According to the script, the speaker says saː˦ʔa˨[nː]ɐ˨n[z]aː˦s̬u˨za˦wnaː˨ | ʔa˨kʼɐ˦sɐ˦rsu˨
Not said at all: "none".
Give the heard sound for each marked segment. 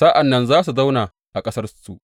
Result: nː, z

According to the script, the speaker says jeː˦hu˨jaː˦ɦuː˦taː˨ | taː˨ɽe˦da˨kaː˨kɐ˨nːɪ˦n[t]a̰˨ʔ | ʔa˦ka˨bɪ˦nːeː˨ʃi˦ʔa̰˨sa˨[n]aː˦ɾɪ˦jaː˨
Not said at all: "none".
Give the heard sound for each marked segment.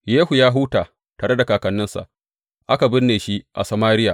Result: s, m

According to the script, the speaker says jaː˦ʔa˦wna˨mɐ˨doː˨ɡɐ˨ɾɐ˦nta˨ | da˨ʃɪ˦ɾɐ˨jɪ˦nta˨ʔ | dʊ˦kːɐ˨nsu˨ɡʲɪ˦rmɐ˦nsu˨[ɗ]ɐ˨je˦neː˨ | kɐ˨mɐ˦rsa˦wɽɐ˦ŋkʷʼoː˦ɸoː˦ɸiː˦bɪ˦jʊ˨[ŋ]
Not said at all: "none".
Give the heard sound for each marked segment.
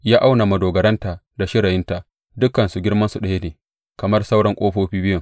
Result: ɗ, ŋ

